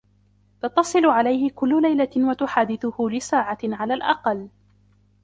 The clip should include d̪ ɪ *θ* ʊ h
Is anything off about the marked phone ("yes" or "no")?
no